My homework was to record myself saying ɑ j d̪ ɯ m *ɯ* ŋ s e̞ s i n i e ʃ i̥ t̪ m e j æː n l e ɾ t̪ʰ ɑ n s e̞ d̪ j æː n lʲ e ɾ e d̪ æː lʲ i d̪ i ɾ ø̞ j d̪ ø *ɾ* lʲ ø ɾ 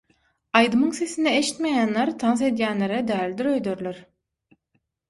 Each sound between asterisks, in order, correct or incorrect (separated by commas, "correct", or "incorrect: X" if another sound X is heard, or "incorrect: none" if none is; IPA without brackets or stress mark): correct, correct